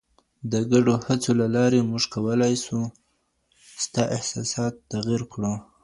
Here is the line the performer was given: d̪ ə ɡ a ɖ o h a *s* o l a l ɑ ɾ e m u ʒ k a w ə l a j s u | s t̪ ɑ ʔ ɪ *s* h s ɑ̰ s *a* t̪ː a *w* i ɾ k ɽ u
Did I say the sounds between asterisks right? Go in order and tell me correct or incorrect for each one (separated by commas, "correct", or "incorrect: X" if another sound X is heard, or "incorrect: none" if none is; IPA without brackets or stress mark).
incorrect: t͡s, incorrect: none, incorrect: ɑ, incorrect: ɣ